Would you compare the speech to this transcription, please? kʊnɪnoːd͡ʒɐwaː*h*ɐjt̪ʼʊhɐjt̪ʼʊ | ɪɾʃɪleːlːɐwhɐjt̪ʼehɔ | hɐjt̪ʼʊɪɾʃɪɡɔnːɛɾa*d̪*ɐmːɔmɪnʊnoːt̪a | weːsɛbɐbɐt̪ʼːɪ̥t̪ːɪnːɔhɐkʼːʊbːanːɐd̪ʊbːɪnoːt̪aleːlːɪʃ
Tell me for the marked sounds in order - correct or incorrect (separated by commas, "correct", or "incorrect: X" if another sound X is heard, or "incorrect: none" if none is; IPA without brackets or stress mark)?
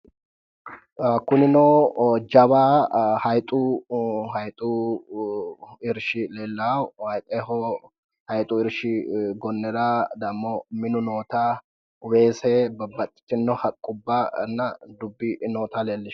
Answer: correct, correct